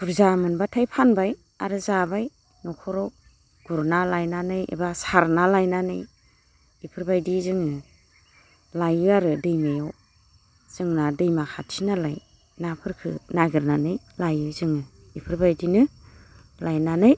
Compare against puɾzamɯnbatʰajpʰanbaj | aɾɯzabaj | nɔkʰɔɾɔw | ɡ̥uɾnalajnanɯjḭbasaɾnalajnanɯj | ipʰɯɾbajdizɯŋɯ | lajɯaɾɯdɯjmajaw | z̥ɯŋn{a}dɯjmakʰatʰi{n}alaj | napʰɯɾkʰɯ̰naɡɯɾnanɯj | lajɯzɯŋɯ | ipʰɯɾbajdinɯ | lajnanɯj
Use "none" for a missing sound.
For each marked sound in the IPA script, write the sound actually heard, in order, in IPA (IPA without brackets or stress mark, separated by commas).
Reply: a, n